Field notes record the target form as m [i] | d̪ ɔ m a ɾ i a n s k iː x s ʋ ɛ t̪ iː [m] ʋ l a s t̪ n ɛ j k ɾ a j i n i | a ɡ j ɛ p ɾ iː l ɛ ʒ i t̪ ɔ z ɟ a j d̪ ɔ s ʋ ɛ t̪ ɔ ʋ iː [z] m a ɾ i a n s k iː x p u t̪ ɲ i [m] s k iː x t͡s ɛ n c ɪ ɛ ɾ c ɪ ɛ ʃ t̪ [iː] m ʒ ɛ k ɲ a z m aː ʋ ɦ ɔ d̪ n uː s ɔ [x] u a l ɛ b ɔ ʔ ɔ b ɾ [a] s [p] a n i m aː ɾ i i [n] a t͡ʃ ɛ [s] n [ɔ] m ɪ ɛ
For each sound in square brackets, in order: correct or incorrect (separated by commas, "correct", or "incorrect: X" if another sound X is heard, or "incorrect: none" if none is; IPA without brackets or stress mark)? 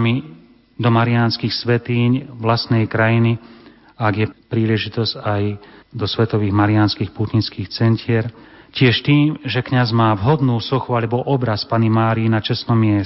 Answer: correct, incorrect: ɲ, incorrect: ɣ, incorrect: n, correct, correct, correct, correct, correct, correct, correct